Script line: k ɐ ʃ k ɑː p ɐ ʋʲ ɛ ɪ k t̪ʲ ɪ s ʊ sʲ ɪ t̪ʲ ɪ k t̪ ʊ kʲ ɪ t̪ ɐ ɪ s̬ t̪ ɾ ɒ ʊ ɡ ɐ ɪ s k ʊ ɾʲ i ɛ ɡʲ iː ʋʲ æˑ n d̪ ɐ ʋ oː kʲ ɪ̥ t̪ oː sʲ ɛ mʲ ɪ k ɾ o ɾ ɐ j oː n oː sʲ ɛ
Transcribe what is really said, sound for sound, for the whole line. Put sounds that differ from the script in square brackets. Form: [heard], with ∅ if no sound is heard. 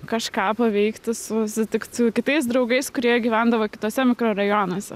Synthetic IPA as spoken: k ɐ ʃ k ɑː p ɐ ʋʲ ɛ ɪ k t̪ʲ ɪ s ʊ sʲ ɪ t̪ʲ ɪ k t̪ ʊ kʲ ɪ t̪ ɐ ɪ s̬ [d̪] ɾ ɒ ʊ ɡ ɐ ɪ s k ʊ ɾʲ i ɛ ɡʲ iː ʋʲ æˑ n d̪ ɐ ʋ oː kʲ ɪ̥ t̪ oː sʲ ɛ mʲ ɪ k ɾ o ɾ ɐ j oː n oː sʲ ɛ